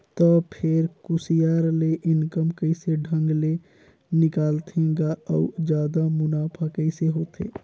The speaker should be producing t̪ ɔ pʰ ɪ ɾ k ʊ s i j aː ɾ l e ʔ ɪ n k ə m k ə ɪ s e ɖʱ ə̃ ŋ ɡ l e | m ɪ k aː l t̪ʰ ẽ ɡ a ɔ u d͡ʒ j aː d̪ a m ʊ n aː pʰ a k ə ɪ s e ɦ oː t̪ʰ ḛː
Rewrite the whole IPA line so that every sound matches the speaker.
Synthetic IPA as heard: t̪ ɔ pʰ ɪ ɾ k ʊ s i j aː ɾ l e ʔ ɪ n k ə m k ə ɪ s e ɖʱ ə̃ ŋ ɡ l e | n ɪ k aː l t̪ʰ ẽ ɡ a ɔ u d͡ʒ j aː d̪ a m ʊ n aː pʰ a k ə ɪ s e ɦ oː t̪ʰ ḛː